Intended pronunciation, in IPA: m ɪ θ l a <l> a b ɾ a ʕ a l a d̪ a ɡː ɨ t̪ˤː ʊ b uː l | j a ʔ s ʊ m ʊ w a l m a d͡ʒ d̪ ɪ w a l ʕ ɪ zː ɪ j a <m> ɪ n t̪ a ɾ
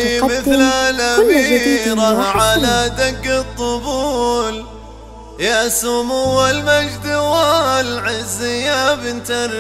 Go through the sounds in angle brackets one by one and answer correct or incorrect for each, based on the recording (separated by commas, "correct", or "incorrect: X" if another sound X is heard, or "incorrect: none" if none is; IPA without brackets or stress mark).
correct, incorrect: b